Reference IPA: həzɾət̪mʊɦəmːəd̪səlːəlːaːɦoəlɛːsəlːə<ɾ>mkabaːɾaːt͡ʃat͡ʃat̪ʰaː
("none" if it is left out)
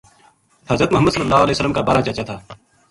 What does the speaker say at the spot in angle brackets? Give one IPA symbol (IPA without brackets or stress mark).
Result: none